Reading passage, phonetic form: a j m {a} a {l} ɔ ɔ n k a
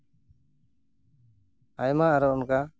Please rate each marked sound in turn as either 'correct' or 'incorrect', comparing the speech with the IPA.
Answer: correct, incorrect: ɾ

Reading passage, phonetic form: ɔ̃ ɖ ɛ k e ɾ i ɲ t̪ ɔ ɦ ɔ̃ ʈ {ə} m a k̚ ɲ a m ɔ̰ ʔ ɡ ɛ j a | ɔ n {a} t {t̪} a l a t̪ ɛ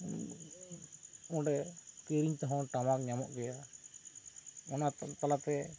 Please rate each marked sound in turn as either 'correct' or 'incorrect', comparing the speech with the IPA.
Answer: incorrect: a, correct, correct

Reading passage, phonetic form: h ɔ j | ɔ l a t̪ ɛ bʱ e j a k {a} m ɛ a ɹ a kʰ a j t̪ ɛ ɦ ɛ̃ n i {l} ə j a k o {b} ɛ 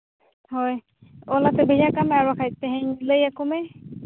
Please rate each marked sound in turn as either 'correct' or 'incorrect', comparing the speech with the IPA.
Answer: correct, correct, incorrect: m

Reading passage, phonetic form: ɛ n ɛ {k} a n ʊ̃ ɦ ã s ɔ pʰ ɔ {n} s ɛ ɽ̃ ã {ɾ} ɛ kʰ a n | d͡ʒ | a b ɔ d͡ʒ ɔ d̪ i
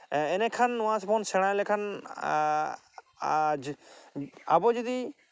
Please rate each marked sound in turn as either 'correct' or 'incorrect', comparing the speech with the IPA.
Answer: incorrect: kʰ, correct, incorrect: l

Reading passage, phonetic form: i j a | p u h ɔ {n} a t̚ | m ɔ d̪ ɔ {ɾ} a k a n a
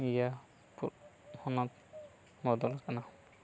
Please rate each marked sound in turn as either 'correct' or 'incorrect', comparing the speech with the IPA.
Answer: correct, incorrect: l

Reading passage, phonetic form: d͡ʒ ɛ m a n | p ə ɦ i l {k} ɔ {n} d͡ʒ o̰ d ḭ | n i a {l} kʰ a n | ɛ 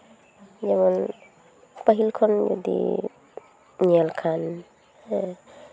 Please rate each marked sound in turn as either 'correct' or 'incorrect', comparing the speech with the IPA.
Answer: incorrect: kʰ, correct, correct

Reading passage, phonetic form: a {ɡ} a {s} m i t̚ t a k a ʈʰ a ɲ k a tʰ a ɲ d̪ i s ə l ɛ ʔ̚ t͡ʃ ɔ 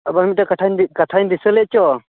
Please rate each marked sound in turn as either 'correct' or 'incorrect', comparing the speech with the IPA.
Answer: incorrect: b, incorrect: none

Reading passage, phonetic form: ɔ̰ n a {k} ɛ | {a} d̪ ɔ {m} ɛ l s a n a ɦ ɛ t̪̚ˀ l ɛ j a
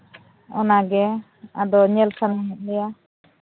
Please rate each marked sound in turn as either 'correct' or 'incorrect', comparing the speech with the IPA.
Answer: incorrect: ɡ, correct, incorrect: ɲ

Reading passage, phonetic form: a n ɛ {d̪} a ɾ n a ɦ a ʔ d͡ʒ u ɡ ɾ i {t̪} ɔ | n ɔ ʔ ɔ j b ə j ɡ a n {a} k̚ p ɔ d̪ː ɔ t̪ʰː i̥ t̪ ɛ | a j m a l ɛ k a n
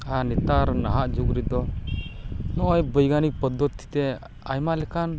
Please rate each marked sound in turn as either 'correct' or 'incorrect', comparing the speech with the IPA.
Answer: incorrect: t̪, incorrect: d̪, incorrect: i

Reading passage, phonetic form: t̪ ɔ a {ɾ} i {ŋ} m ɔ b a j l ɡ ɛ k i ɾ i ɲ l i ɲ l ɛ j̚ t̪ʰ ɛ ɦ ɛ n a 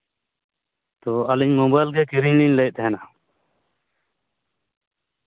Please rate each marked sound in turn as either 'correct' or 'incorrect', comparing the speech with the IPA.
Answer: incorrect: l, incorrect: ɲ

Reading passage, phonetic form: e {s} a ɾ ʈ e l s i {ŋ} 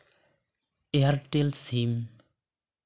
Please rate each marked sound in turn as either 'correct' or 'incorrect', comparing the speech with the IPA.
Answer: incorrect: none, incorrect: m

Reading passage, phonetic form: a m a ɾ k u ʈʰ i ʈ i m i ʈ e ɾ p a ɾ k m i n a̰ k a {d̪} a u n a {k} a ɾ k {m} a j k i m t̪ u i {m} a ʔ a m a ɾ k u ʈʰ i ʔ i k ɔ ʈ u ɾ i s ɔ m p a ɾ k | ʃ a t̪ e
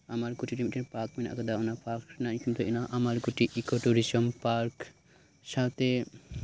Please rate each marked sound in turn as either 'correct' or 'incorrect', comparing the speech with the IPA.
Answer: correct, incorrect: p, incorrect: n, incorrect: n

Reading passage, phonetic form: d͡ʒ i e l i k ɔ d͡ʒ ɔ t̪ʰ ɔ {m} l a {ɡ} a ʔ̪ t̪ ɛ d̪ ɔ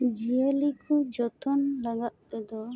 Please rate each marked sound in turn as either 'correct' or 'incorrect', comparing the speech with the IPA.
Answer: incorrect: n, correct

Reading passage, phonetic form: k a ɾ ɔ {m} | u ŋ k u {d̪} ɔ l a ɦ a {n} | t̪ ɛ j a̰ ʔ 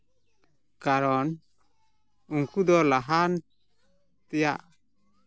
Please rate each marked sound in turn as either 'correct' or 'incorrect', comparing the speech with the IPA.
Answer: incorrect: n, correct, correct

